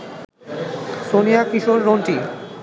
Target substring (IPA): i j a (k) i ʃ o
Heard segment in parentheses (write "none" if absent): k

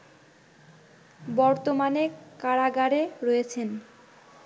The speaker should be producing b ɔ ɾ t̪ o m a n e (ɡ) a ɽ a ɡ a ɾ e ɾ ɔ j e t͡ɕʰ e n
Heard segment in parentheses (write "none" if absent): k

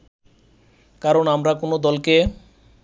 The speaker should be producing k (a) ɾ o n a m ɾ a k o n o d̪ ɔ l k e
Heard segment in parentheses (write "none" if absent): a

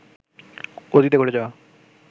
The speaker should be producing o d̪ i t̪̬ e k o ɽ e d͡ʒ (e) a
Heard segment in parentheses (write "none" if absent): a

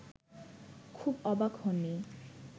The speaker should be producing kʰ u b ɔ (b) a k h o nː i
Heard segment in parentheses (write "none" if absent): b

